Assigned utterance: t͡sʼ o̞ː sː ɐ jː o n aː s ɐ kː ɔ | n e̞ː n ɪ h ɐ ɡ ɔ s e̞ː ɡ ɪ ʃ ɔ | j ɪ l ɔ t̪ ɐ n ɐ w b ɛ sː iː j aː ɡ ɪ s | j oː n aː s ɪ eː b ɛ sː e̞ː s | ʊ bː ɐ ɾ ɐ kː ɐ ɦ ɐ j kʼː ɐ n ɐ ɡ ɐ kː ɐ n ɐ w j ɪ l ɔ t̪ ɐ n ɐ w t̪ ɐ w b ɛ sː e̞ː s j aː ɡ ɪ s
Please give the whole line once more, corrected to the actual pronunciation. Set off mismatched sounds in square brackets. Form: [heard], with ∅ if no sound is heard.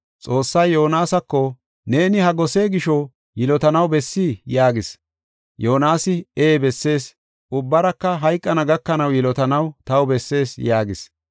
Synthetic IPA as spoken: t͡sʼ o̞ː sː ɐ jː o n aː s ɐ kː ɔ | n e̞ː n ɪ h ɐ ɡ ɔ s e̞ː ɡ ɪ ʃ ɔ | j ɪ l ɔ t̪ ɐ n ɐ w b ɛ sː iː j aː ɡ ɪ s | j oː n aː s ɪ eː b ɛ sː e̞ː s | ʊ bː ɐ ɾ ɐ kː ɐ ɦ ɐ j kʼː ɐ n ɐ ɡ ɐ kː ɐ n ɐ w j ɪ l ɔ t̪ ɐ n ɐ w t̪ ɐ w b ɛ sː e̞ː s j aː ɡ ɪ s